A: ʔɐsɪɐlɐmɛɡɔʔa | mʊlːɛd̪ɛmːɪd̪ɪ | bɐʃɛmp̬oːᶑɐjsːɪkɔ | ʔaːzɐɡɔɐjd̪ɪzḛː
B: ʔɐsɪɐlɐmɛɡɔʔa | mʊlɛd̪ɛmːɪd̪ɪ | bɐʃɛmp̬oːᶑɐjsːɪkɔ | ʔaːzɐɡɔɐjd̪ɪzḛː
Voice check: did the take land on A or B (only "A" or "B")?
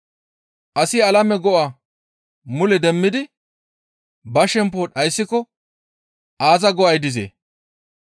B